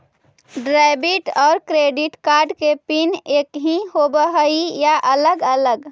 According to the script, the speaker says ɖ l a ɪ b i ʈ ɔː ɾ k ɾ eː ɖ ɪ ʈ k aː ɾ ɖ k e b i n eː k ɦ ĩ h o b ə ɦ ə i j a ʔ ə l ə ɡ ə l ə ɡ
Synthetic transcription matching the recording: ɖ ɾ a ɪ b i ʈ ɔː ɾ k ɾ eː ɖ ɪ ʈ k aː ɾ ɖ k e p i n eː k ɦ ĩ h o b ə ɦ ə i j a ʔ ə l ə ɡ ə l ə ɡ